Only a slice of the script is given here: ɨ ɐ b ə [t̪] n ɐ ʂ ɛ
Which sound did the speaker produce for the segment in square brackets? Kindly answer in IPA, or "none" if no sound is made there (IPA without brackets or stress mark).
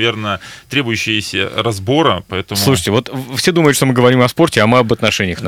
t̪